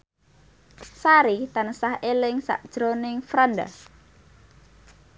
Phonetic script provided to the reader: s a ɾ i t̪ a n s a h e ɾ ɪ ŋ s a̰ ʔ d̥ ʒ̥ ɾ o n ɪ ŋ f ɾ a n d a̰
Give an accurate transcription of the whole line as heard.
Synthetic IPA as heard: s a ɾ i t̪ a n s a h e l ɪ ŋ s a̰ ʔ d̥ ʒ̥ ɾ o n ɪ ŋ f ɾ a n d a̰